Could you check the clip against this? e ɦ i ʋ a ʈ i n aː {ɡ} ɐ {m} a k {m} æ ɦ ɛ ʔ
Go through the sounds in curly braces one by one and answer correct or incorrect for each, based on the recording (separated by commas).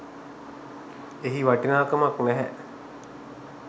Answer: incorrect, correct, incorrect